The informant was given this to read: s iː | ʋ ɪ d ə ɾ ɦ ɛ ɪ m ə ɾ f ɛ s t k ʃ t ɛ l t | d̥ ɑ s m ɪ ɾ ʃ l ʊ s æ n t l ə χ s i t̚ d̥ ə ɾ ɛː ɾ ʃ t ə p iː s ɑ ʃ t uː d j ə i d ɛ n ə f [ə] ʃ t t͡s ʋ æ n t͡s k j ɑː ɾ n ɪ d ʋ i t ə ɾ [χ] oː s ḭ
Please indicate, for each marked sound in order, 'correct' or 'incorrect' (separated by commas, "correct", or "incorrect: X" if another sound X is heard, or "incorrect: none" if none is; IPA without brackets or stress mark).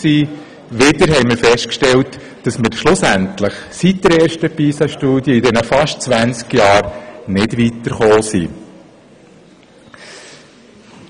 incorrect: ɑ, correct